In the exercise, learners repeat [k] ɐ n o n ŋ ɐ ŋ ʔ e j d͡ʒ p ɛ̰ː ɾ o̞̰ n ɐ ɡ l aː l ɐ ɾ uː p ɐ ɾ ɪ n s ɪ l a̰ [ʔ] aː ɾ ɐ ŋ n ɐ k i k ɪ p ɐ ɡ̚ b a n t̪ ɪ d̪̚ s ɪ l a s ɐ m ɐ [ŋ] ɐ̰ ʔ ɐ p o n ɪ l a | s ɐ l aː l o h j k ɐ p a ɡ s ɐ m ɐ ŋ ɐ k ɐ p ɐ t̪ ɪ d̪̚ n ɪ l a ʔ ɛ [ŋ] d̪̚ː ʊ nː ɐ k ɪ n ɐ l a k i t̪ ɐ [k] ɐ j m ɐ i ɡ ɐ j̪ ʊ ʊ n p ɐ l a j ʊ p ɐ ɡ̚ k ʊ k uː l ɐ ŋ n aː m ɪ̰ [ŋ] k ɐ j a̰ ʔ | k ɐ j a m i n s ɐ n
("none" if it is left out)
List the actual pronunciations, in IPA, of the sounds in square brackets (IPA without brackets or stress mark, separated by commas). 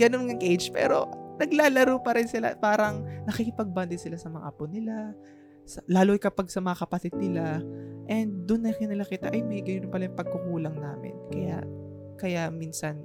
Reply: ɡ, p, ŋ, n, ʔ, n